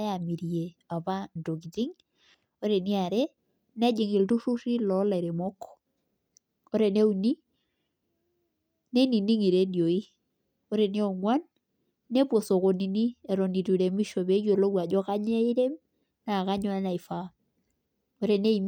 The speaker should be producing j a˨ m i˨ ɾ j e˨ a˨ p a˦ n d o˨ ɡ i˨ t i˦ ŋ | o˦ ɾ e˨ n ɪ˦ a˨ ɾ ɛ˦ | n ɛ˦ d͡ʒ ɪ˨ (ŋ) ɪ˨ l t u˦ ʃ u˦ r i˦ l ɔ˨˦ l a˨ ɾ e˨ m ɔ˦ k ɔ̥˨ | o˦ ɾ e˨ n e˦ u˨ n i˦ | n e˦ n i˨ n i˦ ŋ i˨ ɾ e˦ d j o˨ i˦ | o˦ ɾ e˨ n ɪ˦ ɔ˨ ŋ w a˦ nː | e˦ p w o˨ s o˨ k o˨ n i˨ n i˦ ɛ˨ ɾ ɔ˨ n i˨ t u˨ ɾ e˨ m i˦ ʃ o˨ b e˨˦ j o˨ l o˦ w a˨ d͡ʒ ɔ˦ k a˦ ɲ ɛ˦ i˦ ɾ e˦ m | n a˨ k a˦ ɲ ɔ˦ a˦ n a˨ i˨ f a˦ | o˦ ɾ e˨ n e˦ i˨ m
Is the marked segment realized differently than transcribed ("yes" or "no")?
no